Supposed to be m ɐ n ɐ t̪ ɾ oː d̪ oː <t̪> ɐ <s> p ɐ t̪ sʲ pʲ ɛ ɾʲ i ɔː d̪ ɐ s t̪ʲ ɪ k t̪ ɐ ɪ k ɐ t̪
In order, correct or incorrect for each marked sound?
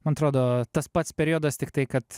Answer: correct, correct

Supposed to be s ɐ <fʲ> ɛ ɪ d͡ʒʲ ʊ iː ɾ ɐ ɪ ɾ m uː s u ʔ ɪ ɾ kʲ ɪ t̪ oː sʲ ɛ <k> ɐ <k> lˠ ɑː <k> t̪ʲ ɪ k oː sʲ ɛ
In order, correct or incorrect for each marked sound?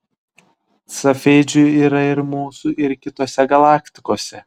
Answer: correct, incorrect: ɡ, incorrect: none, correct

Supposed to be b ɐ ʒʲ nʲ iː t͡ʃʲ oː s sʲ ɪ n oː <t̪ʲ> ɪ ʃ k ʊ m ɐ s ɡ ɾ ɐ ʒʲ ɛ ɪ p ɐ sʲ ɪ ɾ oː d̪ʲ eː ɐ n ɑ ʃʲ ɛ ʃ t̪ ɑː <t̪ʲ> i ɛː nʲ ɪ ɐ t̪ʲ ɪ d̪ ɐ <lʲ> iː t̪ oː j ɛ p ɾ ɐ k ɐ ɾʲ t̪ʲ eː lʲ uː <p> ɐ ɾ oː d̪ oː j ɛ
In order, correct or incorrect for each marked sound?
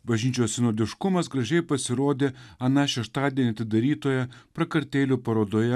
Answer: incorrect: d̪ʲ, incorrect: d̪ʲ, incorrect: ɾʲ, correct

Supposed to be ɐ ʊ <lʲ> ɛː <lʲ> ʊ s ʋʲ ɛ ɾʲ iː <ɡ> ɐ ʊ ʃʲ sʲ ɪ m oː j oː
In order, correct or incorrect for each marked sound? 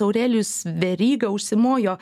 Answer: incorrect: ɾʲ, correct, correct

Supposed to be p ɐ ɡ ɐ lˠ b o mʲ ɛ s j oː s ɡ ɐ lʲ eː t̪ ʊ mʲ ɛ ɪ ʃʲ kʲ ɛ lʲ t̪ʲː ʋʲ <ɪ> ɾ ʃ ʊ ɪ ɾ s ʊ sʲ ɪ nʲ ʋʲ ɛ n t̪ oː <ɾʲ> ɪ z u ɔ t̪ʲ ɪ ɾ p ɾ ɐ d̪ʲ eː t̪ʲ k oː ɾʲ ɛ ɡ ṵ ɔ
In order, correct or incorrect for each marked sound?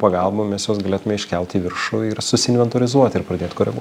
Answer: correct, correct

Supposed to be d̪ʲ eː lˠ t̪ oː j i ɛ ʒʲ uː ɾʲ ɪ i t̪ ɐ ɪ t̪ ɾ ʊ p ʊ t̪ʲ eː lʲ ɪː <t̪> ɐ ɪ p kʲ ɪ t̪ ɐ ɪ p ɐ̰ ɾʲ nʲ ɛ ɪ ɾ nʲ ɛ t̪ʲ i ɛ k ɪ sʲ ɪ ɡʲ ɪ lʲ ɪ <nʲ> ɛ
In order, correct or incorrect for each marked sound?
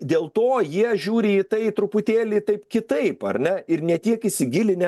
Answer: correct, correct

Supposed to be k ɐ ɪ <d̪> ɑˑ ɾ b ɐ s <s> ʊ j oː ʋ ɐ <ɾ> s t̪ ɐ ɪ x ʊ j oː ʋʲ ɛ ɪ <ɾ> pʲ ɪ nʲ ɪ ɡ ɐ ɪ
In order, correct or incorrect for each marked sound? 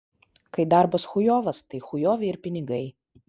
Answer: correct, incorrect: x, incorrect: none, correct

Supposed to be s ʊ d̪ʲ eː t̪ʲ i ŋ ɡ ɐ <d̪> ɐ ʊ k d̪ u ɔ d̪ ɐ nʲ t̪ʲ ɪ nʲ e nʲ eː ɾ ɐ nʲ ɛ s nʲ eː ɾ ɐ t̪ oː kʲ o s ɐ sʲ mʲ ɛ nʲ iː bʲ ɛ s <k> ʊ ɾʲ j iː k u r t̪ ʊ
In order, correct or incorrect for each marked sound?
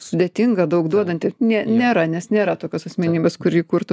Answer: correct, correct

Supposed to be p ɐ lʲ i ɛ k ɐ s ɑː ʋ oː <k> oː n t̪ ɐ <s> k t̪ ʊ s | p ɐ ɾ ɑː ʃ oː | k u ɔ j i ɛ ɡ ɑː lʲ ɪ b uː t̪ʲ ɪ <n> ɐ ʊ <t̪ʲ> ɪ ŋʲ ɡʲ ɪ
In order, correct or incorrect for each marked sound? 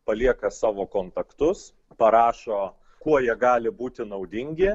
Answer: correct, incorrect: none, correct, incorrect: d̪ʲ

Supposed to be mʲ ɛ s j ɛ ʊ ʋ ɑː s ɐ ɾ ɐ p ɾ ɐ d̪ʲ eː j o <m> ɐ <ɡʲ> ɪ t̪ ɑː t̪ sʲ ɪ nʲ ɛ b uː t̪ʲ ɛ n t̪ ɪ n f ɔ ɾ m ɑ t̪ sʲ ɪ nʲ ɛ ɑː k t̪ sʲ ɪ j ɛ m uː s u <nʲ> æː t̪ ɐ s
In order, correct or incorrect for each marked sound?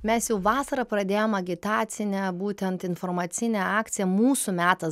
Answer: correct, correct, incorrect: mʲ

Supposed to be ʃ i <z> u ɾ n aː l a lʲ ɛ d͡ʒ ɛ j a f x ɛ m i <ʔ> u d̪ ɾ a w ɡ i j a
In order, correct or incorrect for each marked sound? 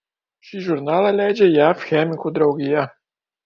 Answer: incorrect: ʒ, incorrect: k

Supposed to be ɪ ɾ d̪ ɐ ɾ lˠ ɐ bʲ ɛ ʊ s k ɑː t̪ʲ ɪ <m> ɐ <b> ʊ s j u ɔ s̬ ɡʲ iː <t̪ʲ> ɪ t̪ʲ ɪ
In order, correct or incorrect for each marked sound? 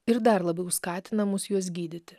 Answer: incorrect: n, incorrect: m, incorrect: d̪ʲ

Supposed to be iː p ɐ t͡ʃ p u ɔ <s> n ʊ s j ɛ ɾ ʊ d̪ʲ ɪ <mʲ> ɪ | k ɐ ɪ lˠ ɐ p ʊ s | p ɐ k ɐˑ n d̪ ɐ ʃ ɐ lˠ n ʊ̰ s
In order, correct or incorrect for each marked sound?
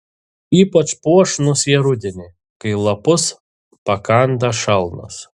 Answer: incorrect: ʃ, incorrect: nʲ

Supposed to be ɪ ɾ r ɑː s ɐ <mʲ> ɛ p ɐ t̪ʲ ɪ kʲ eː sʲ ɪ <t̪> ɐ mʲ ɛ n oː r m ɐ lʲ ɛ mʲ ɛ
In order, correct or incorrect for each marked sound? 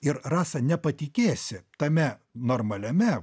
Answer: incorrect: nʲ, correct

